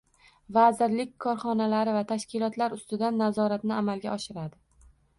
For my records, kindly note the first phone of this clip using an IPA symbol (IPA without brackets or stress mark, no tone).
v